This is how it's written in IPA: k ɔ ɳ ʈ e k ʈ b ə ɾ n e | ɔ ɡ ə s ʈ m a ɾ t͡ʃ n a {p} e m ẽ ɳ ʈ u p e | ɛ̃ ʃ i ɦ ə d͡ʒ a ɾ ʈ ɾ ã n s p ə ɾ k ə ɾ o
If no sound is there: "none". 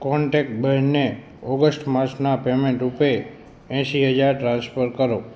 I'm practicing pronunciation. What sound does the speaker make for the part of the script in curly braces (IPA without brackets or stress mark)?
p